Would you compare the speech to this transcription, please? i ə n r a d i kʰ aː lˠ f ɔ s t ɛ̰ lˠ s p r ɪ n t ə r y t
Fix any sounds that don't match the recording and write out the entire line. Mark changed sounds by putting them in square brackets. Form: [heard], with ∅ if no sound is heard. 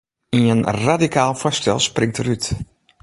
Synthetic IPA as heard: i ə n r a d i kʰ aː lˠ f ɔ s t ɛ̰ lˠ s p r ɪ [ŋ] t ə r y t

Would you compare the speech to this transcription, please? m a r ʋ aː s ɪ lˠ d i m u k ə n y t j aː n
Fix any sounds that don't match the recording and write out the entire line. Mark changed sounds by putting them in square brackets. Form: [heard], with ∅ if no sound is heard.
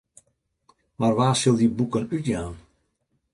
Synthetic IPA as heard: m a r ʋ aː s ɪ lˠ d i [b] u k ə n y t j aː n

